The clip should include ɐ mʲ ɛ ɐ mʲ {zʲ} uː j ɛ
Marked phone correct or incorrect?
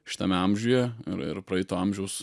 incorrect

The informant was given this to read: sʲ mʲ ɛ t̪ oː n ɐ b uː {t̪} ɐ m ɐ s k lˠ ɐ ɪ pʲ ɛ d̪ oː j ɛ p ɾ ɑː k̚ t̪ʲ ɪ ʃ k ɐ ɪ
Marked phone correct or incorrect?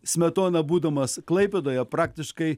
incorrect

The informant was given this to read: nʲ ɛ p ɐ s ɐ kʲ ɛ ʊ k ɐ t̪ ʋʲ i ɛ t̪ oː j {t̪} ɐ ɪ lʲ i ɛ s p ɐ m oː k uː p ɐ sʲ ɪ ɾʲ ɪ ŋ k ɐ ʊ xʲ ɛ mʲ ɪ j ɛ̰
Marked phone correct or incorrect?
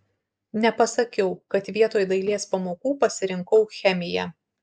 incorrect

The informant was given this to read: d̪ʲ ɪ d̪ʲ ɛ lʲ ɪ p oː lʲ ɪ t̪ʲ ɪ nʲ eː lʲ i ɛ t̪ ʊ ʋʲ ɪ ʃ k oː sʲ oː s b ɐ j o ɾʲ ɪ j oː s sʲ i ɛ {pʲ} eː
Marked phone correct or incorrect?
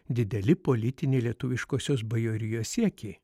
incorrect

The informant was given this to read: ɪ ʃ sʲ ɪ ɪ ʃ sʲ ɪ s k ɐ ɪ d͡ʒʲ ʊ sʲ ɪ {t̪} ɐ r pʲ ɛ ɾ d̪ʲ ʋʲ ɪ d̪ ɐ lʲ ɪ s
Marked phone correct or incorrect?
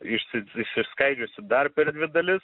incorrect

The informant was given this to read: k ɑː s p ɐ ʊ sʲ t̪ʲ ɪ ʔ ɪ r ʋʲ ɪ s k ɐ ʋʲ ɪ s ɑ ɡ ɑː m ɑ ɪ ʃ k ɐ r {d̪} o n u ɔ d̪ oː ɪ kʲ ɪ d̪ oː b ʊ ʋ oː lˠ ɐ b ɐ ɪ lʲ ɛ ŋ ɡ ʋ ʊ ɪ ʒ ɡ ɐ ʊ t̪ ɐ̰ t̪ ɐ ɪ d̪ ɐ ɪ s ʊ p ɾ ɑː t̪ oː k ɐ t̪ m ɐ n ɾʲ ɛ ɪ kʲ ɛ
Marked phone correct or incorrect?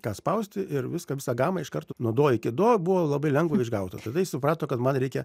incorrect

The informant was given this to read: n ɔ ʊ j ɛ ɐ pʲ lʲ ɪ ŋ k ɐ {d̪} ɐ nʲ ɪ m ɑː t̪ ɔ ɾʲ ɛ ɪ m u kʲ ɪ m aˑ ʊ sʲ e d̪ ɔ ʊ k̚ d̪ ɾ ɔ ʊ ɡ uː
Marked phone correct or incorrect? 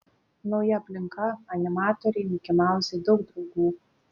incorrect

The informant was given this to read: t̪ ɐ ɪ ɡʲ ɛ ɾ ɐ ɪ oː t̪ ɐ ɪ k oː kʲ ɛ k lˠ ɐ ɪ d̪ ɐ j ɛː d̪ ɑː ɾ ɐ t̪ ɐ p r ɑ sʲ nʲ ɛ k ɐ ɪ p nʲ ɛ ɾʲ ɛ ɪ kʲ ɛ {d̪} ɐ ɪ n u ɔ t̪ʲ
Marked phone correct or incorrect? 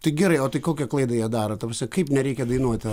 correct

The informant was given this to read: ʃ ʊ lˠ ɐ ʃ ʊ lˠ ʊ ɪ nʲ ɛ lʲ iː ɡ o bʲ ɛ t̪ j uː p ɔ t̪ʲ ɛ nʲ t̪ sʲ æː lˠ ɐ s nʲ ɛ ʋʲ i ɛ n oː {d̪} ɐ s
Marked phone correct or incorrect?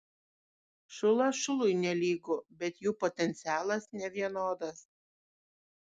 correct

